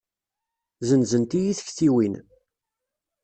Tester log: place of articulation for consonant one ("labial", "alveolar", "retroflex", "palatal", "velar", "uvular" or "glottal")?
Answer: alveolar